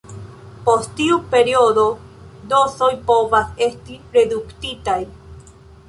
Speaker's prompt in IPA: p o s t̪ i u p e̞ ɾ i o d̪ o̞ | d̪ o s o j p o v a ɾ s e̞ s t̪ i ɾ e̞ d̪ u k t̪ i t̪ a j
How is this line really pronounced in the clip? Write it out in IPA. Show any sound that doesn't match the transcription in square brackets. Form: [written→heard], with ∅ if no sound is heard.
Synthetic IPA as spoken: p o s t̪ i u p e̞ ɾ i o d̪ o̞ | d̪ o s o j p o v a [ɾ→∅] s e̞ s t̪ i ɾ e̞ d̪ u k t̪ i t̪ a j